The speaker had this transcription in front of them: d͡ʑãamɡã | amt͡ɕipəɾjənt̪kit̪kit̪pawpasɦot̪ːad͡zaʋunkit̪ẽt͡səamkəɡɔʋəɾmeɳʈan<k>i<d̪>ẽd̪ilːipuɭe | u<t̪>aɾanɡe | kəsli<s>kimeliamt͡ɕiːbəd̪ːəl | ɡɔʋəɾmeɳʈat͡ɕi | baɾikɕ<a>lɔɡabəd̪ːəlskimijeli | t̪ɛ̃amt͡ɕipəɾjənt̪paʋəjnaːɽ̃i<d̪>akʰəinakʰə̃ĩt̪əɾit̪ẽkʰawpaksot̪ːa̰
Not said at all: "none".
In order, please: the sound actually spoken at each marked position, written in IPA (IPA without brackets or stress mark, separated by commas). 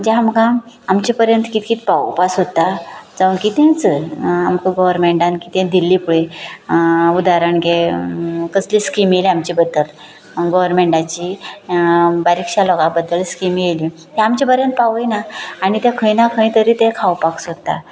k, t̪, d̪, s, a, t̪